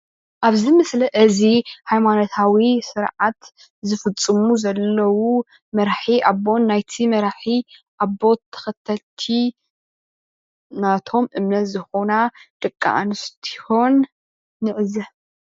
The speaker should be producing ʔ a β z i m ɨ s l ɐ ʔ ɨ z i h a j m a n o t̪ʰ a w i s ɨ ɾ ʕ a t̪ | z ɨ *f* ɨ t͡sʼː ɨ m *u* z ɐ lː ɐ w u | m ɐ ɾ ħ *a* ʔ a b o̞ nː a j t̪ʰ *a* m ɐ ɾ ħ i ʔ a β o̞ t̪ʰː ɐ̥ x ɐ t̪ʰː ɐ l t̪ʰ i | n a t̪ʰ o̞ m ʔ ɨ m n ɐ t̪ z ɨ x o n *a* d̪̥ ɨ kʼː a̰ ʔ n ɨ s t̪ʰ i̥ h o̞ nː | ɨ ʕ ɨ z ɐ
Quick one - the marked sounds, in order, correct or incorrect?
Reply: correct, correct, incorrect, incorrect, correct

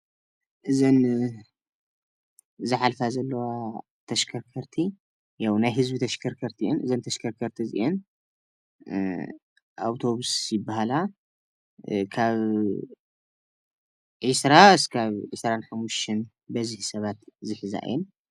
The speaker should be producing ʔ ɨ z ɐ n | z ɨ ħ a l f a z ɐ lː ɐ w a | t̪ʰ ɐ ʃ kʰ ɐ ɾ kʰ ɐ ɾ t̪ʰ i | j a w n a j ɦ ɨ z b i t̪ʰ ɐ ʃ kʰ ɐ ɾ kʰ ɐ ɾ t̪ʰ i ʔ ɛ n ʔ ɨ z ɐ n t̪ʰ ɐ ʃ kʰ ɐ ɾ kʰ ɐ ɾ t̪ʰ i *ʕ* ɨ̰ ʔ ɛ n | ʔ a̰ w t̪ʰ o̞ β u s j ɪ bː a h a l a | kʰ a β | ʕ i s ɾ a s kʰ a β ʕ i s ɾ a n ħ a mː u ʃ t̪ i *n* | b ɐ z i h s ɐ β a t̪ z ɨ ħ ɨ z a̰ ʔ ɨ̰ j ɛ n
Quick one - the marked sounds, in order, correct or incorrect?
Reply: incorrect, correct

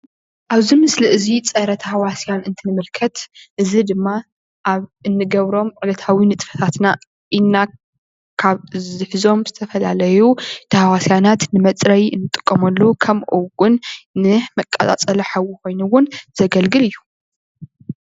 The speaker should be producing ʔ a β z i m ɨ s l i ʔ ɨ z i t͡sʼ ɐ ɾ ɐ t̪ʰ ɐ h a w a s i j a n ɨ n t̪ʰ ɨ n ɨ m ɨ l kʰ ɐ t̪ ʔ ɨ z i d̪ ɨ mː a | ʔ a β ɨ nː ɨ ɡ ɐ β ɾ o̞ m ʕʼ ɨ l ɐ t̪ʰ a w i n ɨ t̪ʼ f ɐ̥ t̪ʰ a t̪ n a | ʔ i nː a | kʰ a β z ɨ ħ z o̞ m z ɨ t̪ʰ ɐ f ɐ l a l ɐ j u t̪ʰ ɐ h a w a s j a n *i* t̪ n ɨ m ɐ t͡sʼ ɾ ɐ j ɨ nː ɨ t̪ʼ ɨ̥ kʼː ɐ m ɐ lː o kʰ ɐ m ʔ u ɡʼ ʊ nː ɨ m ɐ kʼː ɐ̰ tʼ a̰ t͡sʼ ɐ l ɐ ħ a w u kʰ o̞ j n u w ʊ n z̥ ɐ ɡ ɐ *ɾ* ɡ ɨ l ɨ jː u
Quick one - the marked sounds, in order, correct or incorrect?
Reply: incorrect, incorrect

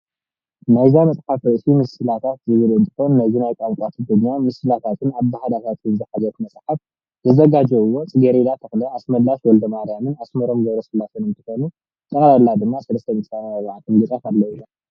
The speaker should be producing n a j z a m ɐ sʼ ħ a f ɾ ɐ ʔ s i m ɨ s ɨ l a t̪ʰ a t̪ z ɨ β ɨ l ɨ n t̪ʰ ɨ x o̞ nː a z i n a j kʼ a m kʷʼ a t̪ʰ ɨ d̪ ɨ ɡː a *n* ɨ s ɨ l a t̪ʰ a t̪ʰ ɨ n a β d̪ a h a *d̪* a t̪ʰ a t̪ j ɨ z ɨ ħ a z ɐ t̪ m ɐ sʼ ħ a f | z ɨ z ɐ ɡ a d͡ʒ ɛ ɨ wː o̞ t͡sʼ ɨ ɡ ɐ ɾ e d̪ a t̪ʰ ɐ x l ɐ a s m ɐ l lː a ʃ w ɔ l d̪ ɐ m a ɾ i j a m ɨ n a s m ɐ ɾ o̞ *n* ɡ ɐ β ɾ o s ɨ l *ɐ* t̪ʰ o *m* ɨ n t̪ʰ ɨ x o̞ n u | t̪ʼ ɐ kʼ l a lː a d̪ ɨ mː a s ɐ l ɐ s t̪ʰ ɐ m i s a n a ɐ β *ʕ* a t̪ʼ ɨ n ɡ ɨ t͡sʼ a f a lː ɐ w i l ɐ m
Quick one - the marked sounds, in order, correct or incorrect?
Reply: incorrect, correct, incorrect, incorrect, incorrect, correct

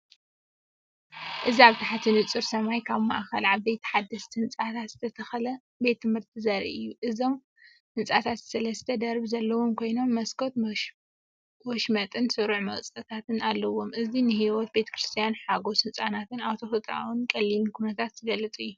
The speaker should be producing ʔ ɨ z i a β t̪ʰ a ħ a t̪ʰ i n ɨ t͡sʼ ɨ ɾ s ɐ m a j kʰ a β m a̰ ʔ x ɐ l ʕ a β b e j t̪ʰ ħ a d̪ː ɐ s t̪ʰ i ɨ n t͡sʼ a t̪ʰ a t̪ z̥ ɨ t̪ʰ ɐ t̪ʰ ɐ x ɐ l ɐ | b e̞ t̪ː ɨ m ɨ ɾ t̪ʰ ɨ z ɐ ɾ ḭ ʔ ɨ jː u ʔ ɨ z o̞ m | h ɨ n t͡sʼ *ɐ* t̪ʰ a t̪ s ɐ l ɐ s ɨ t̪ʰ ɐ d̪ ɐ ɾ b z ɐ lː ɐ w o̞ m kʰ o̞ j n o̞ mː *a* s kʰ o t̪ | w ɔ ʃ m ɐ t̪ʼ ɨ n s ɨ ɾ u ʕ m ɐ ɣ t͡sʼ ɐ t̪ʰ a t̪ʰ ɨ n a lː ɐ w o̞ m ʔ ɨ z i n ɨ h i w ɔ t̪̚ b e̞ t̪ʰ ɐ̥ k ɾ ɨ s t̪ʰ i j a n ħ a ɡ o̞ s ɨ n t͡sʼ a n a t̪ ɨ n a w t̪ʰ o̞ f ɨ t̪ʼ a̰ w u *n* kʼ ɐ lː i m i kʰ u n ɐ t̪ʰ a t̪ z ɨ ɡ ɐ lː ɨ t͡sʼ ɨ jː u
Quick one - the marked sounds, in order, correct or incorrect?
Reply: incorrect, incorrect, correct

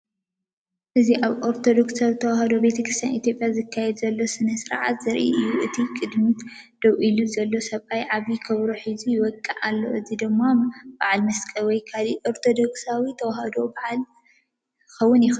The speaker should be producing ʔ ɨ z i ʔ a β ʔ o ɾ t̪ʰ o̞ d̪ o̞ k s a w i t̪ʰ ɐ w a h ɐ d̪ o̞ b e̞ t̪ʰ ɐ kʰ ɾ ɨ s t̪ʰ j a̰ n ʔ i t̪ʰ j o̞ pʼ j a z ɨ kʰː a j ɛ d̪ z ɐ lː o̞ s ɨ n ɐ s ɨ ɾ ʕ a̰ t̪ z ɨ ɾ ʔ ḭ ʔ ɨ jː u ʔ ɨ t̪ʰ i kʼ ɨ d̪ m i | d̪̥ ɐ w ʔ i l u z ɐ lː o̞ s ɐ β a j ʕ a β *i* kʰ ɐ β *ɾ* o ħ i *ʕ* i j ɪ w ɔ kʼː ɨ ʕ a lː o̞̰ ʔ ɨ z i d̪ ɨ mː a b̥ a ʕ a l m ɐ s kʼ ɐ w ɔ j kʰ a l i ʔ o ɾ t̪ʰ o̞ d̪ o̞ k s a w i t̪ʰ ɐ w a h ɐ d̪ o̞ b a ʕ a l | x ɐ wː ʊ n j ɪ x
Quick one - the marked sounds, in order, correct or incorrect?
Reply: correct, correct, incorrect

